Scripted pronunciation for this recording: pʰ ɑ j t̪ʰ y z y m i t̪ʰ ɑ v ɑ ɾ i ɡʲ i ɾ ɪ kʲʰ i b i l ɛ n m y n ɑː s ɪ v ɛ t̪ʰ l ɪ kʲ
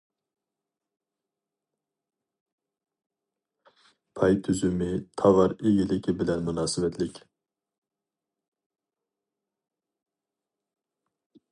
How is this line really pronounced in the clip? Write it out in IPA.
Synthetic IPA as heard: pʰ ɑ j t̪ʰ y z y m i t̪ʰ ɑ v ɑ ɾ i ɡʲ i l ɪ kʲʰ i b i l ɛ n m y n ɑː s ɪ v ɛ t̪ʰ l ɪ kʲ